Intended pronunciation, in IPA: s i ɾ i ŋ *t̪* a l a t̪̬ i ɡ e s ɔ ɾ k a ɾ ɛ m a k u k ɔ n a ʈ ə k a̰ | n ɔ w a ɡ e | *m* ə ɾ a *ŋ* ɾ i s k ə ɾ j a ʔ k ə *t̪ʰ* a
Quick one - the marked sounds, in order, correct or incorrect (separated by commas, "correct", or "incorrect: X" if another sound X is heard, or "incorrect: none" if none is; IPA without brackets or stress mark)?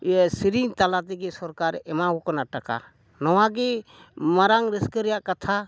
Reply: correct, correct, correct, correct